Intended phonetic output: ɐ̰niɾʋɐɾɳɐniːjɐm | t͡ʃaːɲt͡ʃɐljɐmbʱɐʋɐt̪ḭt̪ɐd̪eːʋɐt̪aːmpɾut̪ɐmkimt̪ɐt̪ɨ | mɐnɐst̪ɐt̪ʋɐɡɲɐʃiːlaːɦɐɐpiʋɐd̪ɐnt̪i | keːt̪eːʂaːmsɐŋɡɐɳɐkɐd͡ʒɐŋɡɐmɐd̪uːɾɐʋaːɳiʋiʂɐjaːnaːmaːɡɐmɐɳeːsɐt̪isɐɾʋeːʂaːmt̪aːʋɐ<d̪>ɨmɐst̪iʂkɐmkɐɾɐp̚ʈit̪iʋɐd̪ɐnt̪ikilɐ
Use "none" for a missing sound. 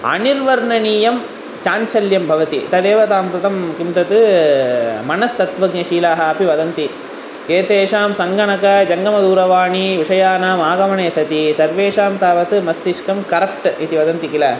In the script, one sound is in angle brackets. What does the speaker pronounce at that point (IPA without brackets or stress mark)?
t̪